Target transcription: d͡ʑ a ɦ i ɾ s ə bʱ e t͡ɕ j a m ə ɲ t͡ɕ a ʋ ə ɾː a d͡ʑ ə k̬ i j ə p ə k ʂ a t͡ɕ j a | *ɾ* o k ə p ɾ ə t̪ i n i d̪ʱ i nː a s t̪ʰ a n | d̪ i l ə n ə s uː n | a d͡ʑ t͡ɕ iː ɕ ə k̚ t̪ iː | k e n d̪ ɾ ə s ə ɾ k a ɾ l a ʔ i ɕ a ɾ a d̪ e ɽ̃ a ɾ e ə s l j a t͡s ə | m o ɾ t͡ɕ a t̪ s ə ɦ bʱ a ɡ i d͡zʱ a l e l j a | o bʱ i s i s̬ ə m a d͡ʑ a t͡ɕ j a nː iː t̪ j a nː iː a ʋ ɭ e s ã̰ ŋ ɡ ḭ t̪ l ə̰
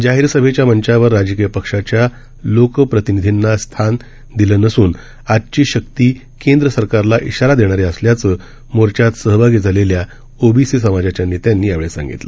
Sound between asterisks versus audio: incorrect: l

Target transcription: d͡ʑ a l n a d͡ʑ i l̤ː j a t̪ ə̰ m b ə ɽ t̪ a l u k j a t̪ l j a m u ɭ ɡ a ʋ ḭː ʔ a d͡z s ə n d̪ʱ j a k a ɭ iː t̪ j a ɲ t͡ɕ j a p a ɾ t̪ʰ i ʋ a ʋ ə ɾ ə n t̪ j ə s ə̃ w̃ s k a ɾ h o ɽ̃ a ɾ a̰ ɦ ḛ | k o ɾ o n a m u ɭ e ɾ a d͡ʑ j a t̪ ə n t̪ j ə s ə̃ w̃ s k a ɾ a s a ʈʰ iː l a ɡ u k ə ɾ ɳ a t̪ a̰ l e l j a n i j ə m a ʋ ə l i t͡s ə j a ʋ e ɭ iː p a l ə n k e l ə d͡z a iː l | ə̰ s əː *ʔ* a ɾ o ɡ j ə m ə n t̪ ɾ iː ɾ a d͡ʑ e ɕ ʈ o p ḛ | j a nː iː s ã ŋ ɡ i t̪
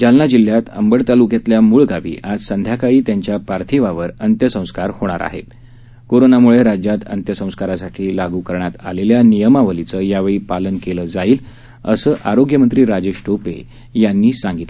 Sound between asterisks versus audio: correct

